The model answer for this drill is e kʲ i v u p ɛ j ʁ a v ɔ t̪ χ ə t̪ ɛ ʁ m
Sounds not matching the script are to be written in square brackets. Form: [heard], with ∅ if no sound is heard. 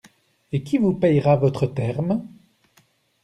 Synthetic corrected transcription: e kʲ i v u p ɛ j ʁ a v ɔ t̪ χ ə t̪ ɛ ʁ m